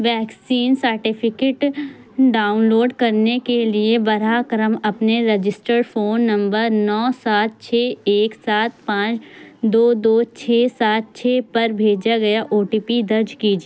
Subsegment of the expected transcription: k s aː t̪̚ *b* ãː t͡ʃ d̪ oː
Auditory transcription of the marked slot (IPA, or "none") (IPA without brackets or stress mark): p